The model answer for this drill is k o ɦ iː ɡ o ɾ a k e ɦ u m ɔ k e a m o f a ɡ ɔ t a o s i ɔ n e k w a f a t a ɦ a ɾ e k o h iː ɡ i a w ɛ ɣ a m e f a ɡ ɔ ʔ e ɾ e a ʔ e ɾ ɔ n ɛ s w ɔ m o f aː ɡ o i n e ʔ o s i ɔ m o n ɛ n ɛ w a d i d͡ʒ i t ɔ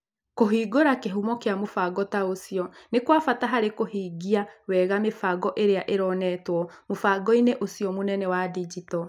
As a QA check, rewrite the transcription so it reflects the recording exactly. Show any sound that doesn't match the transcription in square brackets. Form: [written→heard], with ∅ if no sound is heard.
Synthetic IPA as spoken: k o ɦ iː ɡ o ɾ a k e ɦ u m ɔ k e a m o f a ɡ ɔ t a o s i ɔ n e k w a f a t a ɦ a ɾ e k o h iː ɡ i a w ɛ ɣ a m e f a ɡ ɔ ʔ e ɾ e a ʔ e ɾ ɔ n ɛ [s→t] w ɔ m o f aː ɡ [o→ɔ] i n e ʔ o s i ɔ m o n ɛ n ɛ w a d i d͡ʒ i t ɔ